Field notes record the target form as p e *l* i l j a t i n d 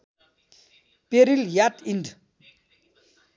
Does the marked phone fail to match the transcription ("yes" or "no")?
yes